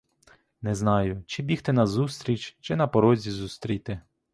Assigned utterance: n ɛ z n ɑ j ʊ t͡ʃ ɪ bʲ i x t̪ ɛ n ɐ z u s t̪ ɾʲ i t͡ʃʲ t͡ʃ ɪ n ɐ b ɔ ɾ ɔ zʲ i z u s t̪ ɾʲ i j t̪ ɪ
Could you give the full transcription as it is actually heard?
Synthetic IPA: n ɛ z n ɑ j ʊ t͡ʃ ɪ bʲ i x t̪ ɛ n ɐ z u s t̪ ɾʲ i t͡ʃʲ t͡ʃ ɪ n ɐ p ɔ ɾ ɔ zʲ i z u s t̪ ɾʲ i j t̪ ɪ